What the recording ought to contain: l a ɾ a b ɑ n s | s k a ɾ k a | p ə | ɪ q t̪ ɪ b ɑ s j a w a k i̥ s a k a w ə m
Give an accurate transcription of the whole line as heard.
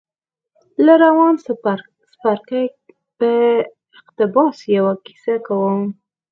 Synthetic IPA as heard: l a ɾ a w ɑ n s | s p a ɾ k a | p ə | ɪ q t̪ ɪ b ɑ s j a w a k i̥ s a k a w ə m